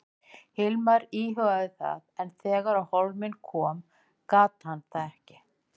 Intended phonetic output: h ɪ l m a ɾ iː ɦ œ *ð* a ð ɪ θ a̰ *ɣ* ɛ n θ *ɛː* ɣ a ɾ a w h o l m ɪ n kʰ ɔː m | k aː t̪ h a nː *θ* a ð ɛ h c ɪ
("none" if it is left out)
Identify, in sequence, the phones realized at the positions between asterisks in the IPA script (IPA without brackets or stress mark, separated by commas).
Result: ɣ, ð, ɛː, θ